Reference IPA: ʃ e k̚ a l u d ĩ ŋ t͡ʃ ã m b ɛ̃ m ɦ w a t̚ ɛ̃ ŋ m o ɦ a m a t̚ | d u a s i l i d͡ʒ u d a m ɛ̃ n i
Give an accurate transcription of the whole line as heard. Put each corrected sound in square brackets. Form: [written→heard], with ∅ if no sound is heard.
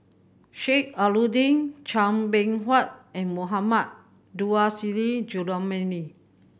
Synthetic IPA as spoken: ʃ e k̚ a l u d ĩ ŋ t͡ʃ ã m b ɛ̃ [m→ŋ] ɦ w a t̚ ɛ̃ [ŋ→n] m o ɦ a m a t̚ | d u a s i l i d͡ʒ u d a m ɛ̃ n i

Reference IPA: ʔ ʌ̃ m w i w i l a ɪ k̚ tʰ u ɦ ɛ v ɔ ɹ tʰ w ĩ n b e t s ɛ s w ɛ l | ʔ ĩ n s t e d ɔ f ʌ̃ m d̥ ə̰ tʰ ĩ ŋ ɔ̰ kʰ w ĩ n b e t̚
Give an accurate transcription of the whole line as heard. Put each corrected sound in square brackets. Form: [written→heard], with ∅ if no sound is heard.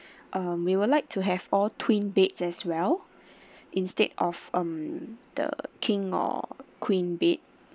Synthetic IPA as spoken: ʔ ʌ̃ m w i w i l a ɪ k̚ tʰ u ɦ ɛ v ɔ [ɹ→l] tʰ w ĩ n b e t s ɛ s w ɛ l | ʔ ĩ n s t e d ɔ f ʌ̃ m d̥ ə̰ [tʰ→kʰ] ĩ ŋ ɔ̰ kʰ w ĩ n b e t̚

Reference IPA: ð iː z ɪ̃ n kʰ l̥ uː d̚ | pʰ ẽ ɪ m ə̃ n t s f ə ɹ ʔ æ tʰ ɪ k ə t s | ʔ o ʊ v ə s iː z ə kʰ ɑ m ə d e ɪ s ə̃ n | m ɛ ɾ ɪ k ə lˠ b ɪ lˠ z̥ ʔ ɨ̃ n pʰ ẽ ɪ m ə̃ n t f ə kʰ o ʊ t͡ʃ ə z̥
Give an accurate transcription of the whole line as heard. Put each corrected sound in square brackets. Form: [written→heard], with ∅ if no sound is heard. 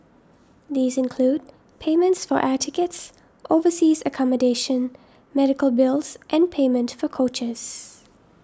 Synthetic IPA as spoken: ð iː z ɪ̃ n kʰ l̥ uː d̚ | pʰ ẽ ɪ m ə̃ n t s f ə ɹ ʔ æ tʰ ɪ k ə t s | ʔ o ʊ v ə s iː z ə kʰ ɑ m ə d e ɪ [s→ʃ] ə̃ n | m ɛ ɾ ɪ k ə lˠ b ɪ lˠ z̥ ʔ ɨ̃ n pʰ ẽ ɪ m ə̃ n t f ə kʰ o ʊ t͡ʃ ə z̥

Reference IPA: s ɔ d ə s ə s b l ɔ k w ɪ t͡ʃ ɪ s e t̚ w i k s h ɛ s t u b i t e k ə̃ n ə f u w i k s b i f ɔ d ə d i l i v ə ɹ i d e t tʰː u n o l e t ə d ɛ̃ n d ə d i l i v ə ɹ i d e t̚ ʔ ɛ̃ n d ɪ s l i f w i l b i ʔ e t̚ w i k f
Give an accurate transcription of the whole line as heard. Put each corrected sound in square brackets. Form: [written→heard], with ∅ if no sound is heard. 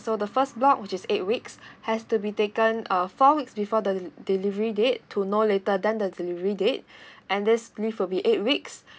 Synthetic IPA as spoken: s [ɔ→o] d ə [s→f] ə s b l ɔ k w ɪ t͡ʃ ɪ s e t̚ w i k s h ɛ s t u b i t e k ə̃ n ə f [u→ɔ] w i k s b i f ɔ d ə d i l i v ə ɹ i d e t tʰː u n o l e t ə d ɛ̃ n d ə d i l i v ə ɹ i d e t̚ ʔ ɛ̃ n d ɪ s l i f w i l b i ʔ e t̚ w i k [f→s]

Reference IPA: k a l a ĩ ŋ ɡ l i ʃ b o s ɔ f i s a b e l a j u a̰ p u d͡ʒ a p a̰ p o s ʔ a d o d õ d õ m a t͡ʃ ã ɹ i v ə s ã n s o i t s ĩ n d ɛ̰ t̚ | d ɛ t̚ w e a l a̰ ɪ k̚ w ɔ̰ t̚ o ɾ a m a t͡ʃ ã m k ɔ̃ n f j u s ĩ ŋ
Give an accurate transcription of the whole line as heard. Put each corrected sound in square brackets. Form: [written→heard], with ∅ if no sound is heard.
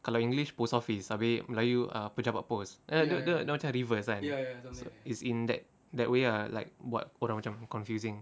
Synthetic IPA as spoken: k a l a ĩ ŋ ɡ l i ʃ [b→p] o s ɔ f i s a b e l a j u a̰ p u d͡ʒ a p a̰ p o s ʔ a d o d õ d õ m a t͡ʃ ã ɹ i v ə s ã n s o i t s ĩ n d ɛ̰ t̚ | d ɛ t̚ w e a l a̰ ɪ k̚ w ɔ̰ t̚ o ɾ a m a t͡ʃ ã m k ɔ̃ n f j u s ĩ ŋ

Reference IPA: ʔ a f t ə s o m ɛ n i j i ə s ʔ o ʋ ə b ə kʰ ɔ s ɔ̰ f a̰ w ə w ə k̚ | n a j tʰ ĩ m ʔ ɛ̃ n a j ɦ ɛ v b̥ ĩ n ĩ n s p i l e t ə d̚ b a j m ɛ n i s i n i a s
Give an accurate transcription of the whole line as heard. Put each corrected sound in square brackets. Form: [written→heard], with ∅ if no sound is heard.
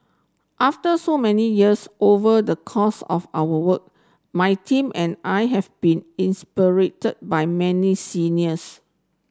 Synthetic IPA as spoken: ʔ a f t ə s o m ɛ n i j i ə s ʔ o [ʋ→v] ə [b→d] ə kʰ ɔ s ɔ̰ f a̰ w ə w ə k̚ | [n→m] a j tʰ ĩ m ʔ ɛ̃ n a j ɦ ɛ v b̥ ĩ n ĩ n s p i [l→ɹ] e t ə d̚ b a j m ɛ n i s i n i [a→ə] s

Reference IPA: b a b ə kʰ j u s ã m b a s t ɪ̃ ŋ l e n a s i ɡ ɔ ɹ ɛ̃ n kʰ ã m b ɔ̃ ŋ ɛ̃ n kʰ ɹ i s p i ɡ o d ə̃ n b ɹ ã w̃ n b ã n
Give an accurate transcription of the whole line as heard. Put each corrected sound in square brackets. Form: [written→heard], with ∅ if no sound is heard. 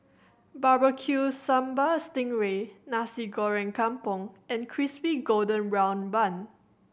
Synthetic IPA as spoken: b a b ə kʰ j u s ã m b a s t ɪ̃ ŋ [l→ɹ] e n a s i ɡ ɔ ɹ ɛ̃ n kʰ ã m [b→p] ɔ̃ ŋ ɛ̃ n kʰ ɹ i s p i ɡ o d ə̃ n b ɹ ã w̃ n b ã n

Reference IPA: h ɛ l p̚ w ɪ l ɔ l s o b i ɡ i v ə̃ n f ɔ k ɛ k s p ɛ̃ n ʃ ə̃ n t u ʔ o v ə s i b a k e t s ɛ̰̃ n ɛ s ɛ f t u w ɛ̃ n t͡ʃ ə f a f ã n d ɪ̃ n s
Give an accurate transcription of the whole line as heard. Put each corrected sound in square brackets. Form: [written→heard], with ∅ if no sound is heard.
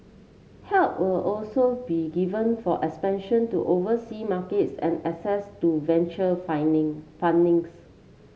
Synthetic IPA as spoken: h ɛ l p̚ w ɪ l ɔ l s o b i ɡ i v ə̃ n f ɔ [k→ʔ] ɛ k s p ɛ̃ n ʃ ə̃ n t u ʔ o v ə s i [b→m] a k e t s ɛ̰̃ n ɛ s ɛ [f→s] t u [w→v] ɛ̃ n t͡ʃ ə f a f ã n d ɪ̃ [n→ŋ] s

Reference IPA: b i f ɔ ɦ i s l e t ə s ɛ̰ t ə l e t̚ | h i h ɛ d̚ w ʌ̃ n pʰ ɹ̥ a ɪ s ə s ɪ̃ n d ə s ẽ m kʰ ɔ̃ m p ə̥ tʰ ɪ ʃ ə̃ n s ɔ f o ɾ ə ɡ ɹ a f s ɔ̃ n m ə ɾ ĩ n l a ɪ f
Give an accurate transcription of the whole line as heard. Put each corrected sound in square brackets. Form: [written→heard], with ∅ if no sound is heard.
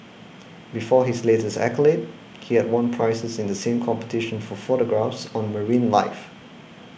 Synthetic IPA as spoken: b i f ɔ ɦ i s l e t ə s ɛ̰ [t→k] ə l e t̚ | h i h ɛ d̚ w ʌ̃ n pʰ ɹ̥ a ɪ s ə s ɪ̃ n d ə s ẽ m kʰ ɔ̃ m p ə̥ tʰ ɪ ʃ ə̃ n [s→f] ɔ f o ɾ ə ɡ ɹ a f s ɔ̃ n m ə [ɾ→ɹ] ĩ n l a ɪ f

